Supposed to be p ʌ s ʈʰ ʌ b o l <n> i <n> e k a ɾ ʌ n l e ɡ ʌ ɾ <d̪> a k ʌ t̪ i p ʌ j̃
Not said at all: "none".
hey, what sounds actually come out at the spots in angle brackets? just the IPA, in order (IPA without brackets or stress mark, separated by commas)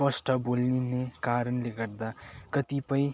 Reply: n, n, d̪